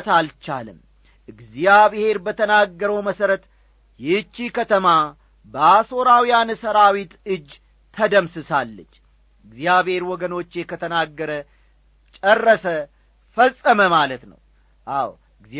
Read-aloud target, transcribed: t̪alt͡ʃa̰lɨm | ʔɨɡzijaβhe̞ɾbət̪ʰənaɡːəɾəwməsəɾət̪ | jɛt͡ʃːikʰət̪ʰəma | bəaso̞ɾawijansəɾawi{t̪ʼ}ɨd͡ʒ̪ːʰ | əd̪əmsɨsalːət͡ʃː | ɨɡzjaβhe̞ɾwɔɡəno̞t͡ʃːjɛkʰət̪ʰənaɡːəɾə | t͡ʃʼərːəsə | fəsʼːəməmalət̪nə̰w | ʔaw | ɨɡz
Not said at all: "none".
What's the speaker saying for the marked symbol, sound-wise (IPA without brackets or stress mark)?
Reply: t̪